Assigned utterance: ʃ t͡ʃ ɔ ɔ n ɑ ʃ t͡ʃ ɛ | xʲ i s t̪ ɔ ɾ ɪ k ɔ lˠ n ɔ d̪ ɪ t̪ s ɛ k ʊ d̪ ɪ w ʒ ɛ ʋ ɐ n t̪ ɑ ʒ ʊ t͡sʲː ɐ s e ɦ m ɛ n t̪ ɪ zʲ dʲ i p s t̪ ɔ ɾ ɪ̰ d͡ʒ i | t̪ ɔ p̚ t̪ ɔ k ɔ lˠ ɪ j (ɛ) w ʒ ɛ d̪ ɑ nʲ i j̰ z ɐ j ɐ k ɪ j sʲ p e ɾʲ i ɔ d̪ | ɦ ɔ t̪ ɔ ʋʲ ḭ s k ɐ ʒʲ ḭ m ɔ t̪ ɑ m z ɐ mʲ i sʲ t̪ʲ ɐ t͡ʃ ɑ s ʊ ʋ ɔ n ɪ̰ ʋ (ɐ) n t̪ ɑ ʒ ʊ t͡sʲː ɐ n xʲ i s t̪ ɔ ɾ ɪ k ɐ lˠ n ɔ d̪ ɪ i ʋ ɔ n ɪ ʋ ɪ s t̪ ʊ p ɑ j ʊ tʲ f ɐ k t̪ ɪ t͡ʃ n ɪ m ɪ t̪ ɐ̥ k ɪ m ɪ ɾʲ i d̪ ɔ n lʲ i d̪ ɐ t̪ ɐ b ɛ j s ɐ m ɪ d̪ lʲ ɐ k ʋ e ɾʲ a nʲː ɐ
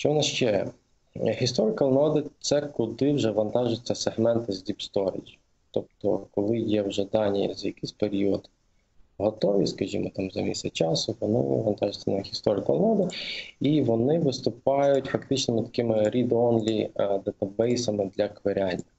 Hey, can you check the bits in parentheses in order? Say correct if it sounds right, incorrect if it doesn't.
correct, correct

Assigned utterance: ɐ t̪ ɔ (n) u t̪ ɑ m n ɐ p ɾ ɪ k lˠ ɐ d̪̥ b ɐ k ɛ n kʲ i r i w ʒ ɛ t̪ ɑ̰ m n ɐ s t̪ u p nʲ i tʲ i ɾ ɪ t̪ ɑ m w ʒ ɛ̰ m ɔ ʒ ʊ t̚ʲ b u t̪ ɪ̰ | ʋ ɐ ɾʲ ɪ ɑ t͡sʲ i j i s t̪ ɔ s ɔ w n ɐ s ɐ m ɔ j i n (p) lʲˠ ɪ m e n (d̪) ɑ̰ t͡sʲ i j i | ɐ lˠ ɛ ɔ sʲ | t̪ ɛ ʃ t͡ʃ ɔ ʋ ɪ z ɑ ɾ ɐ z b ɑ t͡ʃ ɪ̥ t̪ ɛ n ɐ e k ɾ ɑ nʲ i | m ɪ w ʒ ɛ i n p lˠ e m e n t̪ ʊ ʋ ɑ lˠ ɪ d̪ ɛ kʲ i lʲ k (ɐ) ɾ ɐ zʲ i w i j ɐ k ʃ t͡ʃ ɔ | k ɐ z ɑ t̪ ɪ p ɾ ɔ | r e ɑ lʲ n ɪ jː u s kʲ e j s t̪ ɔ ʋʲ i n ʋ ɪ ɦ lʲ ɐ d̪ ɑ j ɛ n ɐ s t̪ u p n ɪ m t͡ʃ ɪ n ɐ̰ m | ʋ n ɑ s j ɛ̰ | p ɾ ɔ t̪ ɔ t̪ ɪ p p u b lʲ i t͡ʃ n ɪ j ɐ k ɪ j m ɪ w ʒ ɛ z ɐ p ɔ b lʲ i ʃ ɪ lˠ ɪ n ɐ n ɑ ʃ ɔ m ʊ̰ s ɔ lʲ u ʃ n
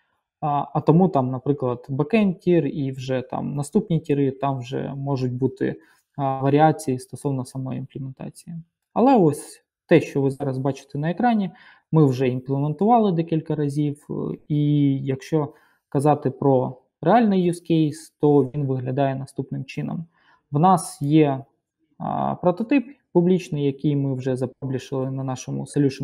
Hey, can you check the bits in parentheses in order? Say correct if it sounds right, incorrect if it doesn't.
incorrect: m, correct, incorrect: t̪, correct

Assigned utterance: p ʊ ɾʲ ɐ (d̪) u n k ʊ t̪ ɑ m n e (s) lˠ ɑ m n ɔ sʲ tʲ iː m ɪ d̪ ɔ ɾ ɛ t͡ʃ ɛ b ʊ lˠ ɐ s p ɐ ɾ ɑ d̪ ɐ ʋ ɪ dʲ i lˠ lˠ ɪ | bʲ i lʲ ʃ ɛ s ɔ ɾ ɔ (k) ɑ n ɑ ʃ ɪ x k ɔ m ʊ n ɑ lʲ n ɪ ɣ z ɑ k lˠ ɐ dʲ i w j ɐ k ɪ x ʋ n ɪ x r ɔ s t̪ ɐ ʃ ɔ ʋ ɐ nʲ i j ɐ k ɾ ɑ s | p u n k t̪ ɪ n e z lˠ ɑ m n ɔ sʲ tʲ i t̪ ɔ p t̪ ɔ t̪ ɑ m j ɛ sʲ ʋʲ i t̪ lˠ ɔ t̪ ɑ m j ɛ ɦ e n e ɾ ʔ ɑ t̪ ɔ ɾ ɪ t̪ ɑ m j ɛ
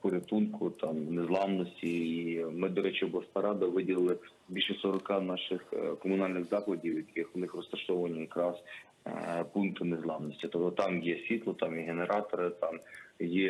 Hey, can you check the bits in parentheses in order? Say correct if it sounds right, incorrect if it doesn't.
incorrect: t̪, incorrect: z, correct

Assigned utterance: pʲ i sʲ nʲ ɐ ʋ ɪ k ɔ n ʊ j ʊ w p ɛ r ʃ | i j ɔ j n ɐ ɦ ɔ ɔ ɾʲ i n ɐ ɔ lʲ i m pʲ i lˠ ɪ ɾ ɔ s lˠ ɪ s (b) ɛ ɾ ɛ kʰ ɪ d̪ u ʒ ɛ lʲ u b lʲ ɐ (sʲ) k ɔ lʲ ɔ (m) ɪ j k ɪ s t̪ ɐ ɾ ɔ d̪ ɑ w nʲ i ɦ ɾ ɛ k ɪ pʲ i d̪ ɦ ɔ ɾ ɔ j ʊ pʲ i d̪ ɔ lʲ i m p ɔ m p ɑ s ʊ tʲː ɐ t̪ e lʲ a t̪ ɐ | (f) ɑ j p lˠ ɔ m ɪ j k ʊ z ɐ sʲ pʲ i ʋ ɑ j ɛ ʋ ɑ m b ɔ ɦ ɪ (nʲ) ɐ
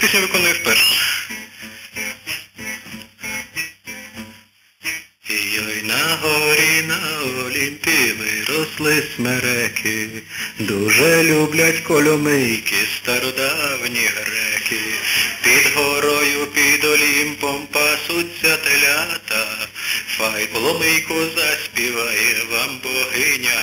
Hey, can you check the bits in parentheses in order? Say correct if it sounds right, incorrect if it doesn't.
incorrect: m, incorrect: tʲ, correct, correct, correct

